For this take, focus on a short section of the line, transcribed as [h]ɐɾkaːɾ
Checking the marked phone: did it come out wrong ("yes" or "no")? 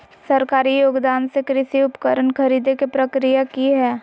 yes